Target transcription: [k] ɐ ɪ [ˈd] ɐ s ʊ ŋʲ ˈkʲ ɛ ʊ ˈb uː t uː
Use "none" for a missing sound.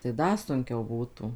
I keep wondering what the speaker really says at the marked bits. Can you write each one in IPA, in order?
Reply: t, d

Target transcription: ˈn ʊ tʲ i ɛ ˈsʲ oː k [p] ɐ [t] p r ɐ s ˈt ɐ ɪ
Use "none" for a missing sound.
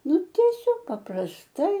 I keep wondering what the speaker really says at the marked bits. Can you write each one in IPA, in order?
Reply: p, none

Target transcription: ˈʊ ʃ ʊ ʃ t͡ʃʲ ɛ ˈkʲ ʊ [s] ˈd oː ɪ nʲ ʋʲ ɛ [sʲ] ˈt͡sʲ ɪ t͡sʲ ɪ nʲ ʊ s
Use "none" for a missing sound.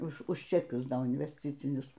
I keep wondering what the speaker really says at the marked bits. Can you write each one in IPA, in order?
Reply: s, sʲ

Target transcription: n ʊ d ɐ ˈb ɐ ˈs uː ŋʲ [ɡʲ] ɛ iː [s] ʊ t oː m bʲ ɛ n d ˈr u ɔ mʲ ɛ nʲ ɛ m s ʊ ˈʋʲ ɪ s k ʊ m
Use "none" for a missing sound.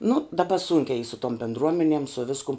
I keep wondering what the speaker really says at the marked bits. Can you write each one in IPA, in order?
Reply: kʲ, s

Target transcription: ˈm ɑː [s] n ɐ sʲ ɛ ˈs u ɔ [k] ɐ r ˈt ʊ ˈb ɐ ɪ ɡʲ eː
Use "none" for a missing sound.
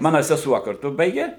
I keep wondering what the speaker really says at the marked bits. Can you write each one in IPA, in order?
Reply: none, k

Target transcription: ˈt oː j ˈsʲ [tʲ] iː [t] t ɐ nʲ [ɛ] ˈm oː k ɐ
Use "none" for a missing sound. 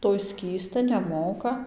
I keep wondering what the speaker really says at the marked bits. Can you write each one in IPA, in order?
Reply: kʲ, s, ɛ

